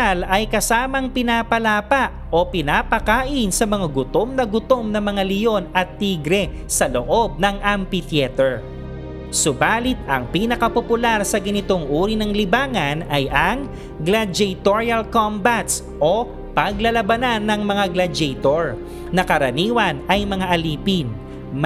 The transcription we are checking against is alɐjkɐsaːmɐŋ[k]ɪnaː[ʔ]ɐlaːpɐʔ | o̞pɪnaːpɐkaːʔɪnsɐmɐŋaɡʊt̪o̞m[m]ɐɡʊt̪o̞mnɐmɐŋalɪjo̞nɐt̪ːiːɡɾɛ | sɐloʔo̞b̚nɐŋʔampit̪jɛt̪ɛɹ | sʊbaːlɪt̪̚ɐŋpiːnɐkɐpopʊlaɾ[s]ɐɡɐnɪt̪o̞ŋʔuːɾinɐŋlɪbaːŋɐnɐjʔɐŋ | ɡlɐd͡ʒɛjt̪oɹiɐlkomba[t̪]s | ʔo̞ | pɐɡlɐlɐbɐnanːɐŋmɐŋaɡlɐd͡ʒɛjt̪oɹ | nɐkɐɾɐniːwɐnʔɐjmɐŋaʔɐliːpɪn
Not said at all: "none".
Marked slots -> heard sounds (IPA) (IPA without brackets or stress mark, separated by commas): p, p, n, s, t̪